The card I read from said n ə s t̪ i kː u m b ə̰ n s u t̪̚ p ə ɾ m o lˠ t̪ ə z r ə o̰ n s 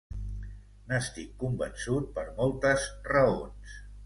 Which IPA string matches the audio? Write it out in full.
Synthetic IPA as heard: n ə s t̪ i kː u m b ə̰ n s u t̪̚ p ə ɾ m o lˠ t̪ ə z r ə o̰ n s